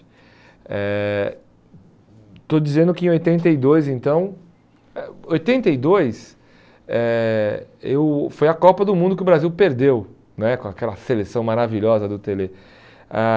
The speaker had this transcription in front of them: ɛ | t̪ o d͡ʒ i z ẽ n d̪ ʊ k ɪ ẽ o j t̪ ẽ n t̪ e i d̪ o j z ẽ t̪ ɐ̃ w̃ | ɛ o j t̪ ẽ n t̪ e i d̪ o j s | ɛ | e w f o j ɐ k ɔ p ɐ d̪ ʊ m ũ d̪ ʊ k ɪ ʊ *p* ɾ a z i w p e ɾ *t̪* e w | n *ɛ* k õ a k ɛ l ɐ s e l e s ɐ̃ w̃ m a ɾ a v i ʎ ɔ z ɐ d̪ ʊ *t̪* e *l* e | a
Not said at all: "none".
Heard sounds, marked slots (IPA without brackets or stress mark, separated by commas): b, d̪, ɛ, t̪, l